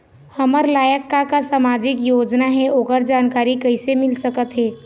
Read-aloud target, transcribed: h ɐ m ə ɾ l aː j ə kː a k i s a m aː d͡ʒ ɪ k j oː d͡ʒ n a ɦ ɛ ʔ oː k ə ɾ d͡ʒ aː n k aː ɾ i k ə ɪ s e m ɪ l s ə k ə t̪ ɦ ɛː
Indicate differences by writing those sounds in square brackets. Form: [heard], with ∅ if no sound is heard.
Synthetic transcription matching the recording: h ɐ m ə ɾ l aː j ə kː a k [a] s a m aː d͡ʒ ɪ k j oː d͡ʒ n a ɦ ɛ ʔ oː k ə ɾ d͡ʒ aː n k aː ɾ i k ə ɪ s e m ɪ l s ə k ə t̪ ɦ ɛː